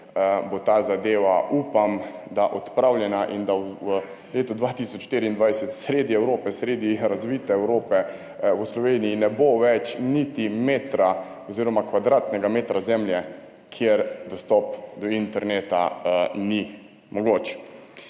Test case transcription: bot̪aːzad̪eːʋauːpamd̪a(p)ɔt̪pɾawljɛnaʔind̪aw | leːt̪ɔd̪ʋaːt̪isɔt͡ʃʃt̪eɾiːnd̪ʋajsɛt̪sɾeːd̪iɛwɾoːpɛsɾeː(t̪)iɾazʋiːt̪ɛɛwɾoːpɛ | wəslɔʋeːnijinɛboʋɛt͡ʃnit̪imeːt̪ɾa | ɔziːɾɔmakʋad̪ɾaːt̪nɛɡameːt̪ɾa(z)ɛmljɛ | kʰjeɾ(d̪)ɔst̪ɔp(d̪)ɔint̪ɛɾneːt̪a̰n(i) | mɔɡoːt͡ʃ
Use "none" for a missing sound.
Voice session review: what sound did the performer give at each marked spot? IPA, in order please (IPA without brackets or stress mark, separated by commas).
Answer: ʔ, d̪, z, d̪, d̪, i